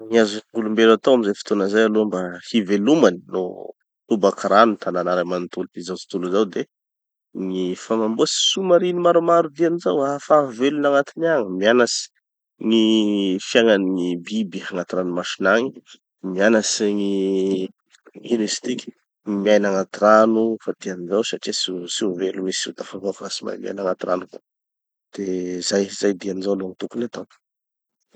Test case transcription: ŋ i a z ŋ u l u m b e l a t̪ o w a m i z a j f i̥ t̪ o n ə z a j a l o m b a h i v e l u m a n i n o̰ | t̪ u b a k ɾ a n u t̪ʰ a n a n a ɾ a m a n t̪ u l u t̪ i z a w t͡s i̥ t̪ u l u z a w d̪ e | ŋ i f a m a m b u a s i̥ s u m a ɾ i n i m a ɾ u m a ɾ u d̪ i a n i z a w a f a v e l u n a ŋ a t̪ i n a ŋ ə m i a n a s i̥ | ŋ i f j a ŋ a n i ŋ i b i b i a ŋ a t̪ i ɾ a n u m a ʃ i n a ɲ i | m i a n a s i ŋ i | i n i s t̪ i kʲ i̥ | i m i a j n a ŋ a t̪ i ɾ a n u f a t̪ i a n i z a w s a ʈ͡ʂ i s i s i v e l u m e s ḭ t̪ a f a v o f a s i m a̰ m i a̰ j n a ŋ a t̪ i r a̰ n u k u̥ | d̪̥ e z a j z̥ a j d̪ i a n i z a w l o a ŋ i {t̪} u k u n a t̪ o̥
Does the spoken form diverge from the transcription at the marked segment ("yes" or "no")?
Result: no